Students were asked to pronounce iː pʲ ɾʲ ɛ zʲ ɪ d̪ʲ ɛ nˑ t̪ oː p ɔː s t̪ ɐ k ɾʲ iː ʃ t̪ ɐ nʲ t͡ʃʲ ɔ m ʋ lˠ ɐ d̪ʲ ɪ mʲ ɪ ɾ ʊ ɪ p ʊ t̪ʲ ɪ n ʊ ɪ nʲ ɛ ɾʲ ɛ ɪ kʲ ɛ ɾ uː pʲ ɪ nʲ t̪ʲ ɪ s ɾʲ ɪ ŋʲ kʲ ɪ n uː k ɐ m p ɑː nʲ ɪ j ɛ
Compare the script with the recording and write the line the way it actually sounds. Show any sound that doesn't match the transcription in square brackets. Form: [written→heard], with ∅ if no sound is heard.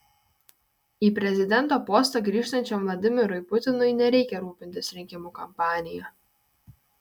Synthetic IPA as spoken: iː pʲ ɾʲ ɛ zʲ ɪ d̪ʲ ɛ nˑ t̪ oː p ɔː s t̪ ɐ [k→ɡ] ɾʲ iː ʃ t̪ ɐ nʲ t͡ʃʲ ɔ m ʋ lˠ ɐ d̪ʲ ɪ mʲ ɪ ɾ ʊ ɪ p ʊ t̪ʲ ɪ n ʊ ɪ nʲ ɛ ɾʲ ɛ ɪ kʲ ɛ ɾ uː pʲ ɪ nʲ t̪ʲ ɪ s ɾʲ ɪ ŋʲ kʲ ɪ [n→m] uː k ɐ m p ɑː nʲ ɪ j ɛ